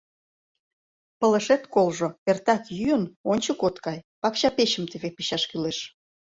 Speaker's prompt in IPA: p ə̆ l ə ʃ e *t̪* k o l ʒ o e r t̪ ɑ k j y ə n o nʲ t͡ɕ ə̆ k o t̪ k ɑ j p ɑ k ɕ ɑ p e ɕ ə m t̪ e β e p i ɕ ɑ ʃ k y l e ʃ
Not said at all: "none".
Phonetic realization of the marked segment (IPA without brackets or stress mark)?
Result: t̪